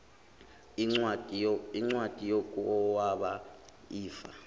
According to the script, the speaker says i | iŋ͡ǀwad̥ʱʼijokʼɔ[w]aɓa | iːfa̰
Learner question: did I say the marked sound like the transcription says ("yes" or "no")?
yes